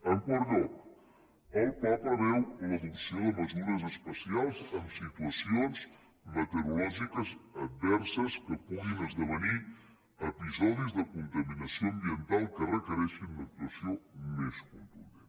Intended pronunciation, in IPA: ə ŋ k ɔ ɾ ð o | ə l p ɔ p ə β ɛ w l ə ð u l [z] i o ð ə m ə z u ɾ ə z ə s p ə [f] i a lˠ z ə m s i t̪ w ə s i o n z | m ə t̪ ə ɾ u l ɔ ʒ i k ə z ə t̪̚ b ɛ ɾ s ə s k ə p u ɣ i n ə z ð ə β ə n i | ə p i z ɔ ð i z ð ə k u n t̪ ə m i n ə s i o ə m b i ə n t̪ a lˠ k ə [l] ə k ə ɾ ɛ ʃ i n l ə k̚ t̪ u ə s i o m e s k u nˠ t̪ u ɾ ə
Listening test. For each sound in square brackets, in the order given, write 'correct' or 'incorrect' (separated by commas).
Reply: incorrect, incorrect, incorrect